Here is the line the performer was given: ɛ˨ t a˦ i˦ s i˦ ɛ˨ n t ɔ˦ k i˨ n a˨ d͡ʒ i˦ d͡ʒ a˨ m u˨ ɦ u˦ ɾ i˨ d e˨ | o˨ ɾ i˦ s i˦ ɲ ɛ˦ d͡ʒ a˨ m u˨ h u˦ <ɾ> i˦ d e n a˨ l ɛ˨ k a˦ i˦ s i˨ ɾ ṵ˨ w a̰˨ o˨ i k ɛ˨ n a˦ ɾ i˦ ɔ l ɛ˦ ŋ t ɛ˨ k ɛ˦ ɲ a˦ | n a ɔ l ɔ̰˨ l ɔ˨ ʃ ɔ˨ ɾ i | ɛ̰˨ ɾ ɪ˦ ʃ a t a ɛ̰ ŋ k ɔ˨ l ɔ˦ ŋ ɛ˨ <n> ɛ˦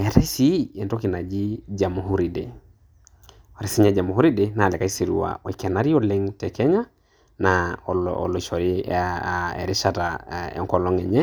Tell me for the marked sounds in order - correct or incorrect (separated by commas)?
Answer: correct, incorrect